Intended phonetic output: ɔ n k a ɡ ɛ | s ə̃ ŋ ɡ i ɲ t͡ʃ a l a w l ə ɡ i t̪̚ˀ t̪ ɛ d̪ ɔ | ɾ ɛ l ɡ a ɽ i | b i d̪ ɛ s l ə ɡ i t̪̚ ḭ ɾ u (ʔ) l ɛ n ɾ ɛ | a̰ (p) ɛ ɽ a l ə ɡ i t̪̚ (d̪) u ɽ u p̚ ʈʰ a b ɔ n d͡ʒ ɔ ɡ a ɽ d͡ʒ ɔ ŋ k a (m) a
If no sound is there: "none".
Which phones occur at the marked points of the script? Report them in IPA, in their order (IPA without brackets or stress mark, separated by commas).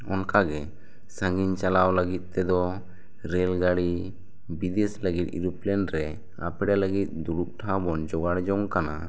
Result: p, p, d̪, n